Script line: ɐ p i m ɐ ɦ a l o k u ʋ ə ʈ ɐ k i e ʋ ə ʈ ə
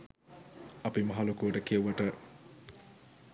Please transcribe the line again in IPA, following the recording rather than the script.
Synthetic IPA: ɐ p i m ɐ ɦ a l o k u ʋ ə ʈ ə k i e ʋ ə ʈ ə